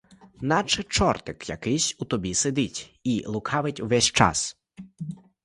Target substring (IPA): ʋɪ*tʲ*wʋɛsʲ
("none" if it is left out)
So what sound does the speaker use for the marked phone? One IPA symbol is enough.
tʲ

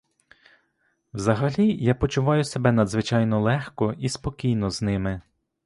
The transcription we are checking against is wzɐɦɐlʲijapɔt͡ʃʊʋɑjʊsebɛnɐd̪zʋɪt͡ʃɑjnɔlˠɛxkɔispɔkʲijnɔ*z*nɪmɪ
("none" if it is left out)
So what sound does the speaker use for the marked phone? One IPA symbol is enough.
z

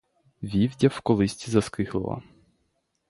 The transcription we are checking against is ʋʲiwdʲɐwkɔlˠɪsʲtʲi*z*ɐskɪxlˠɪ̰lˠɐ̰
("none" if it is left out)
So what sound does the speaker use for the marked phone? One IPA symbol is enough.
z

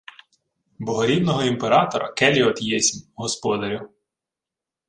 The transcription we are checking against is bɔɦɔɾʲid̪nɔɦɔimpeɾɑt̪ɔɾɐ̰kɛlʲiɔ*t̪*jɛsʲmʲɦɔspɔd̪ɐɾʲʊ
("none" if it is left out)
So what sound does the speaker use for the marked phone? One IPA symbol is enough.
t̪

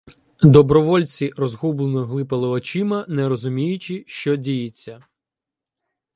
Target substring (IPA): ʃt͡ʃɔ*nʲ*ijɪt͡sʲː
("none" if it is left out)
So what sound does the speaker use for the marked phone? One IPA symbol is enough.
dʲ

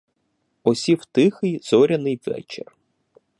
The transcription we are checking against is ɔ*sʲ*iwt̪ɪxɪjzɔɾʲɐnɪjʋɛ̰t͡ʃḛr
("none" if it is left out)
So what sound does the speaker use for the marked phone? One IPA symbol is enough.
sʲ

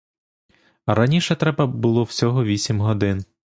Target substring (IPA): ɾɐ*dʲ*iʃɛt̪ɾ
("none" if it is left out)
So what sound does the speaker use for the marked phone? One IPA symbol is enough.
nʲ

